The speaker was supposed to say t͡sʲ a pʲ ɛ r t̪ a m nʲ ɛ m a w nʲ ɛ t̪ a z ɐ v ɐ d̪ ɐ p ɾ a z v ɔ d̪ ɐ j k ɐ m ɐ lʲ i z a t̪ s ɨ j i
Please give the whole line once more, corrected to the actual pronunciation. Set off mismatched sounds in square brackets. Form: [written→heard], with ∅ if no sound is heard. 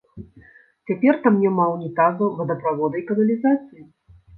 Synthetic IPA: t͡sʲ a pʲ ɛ r t̪ a m nʲ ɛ m a w nʲ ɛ t̪ a z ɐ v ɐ d̪ ɐ p ɾ a [z→∅] v ɔ d̪ ɐ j k ɐ [m→n] ɐ lʲ i z a t̪ s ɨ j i